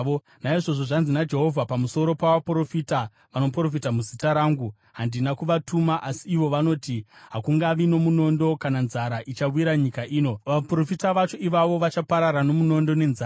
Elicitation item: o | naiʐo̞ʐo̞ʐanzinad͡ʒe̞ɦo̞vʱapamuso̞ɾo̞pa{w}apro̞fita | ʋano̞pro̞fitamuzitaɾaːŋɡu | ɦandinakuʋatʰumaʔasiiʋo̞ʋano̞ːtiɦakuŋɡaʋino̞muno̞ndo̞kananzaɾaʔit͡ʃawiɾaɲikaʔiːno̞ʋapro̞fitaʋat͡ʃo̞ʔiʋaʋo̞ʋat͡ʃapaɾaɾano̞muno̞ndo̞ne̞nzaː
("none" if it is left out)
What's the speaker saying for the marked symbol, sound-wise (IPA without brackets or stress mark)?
ʋ